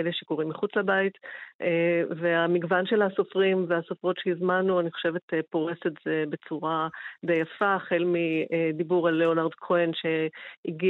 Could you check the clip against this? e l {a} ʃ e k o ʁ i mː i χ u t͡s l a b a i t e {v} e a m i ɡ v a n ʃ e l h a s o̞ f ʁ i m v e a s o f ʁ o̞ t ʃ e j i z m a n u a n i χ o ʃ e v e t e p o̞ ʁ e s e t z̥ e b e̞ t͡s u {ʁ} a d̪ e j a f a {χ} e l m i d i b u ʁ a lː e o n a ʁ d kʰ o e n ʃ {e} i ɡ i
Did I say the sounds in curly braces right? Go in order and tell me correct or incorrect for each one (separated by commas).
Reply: incorrect, correct, correct, correct, correct